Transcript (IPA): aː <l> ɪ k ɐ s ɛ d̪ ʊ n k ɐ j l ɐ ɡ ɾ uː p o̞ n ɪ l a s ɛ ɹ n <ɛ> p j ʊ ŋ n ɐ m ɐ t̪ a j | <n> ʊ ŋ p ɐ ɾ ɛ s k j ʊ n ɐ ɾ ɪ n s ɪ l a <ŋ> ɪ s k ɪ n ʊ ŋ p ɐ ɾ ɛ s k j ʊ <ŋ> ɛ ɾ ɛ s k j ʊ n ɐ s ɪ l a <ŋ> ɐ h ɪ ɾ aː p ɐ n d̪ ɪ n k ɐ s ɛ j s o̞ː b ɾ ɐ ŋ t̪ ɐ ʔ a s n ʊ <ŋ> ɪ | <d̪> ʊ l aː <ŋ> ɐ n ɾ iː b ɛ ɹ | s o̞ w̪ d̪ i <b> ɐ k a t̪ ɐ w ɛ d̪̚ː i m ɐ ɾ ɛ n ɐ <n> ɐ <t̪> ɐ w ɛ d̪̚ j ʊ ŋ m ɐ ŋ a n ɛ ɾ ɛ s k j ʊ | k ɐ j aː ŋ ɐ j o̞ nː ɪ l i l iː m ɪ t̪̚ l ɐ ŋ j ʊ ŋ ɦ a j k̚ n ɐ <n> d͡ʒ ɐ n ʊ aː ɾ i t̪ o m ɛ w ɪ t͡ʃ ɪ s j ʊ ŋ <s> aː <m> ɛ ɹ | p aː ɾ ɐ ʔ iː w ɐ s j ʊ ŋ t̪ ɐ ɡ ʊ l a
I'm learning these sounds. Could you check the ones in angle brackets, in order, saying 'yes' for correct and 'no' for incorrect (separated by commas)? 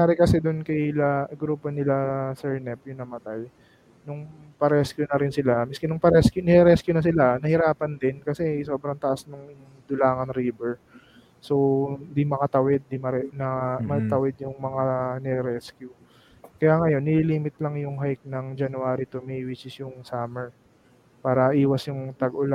no, yes, yes, no, no, no, yes, yes, yes, no, no, yes, no, yes, yes